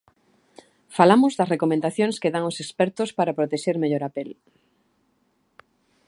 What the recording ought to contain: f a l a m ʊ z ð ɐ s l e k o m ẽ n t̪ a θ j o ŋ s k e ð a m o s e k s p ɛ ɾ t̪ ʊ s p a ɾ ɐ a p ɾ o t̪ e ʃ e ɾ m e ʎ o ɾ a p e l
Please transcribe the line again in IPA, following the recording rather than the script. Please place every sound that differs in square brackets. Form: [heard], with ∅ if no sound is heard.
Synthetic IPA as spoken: f a l a m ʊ z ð ɐ s [r] e k o m ẽ n [d̪] a θ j o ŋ s k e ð a [ŋ] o s e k s p ɛ ɾ t̪ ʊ s p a ɾ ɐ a p ɾ o t̪ e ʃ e ɾ m e ʎ o ɾ a p e l